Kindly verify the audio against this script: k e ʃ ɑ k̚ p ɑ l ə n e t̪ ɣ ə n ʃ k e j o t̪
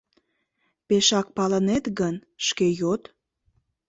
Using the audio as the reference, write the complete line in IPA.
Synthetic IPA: p e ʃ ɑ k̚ p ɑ l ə n e t̪ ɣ ə n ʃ k e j o t̪